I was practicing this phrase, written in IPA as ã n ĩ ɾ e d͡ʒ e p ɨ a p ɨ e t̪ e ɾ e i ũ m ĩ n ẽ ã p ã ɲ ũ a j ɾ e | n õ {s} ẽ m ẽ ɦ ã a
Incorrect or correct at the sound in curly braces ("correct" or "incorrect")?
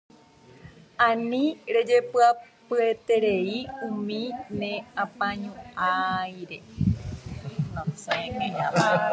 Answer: correct